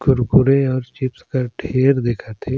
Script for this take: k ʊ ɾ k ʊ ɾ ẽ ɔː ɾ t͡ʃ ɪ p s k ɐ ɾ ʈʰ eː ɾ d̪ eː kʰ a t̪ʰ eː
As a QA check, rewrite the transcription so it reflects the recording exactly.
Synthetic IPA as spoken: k ʊ ɾ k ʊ ɾ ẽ ɔː ɾ t͡ʃ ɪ p s k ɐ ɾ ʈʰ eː ɾ d̪ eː kʰ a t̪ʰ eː

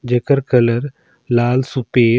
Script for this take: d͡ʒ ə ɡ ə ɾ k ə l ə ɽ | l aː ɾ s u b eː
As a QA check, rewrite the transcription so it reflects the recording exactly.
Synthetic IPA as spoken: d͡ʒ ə k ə ɾ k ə l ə ɾ | l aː l s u p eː

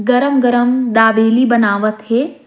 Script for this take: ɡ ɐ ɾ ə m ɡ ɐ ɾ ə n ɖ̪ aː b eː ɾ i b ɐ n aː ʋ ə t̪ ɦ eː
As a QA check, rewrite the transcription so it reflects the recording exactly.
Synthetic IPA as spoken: ɡ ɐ ɾ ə m ɡ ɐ ɾ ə m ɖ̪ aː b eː l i b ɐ n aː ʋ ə t̪ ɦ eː

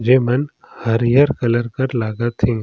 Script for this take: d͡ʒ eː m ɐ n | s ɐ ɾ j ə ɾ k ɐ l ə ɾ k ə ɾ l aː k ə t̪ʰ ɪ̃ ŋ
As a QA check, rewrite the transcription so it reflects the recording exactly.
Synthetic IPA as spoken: d͡ʒ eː m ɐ n | h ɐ ɾ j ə ɾ k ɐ l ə ɾ k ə ɾ l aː ɡ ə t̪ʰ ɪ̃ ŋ

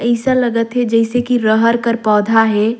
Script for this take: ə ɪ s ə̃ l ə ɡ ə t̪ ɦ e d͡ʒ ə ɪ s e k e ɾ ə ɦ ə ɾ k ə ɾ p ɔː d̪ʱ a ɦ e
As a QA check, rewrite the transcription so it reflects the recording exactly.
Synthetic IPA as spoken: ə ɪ s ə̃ l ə ɡ ə t̪ ɦ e d͡ʒ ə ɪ s e k i ɾ ə ɦ ə ɾ k ə ɾ p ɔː d̪ʱ a ɦ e

